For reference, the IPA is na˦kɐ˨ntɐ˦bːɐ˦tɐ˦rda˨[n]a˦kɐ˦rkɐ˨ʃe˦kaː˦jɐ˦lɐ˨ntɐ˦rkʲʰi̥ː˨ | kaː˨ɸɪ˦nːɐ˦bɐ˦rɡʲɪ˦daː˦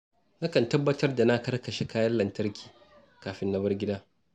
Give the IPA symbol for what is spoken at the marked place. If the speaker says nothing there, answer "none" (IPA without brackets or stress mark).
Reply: n